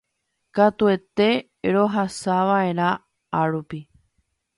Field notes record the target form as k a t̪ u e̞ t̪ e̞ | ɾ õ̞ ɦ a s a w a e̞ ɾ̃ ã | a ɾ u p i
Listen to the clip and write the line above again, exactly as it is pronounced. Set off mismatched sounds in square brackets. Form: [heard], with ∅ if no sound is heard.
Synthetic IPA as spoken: k a t̪ u e̞ t̪ e̞ | ɾ [o̞] ɦ a s a [ʋ] a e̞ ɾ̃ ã | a ɾ u p i